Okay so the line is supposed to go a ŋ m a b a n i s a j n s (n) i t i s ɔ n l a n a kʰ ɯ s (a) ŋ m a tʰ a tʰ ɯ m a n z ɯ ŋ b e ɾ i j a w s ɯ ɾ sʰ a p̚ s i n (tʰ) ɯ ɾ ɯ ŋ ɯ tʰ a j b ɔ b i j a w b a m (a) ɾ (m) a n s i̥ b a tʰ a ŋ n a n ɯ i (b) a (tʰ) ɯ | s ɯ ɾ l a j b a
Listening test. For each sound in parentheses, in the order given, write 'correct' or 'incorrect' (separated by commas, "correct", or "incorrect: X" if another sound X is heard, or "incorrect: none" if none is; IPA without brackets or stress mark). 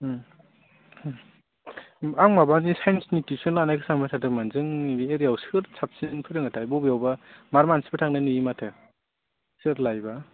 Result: correct, correct, incorrect: pʰ, correct, correct, incorrect: m, correct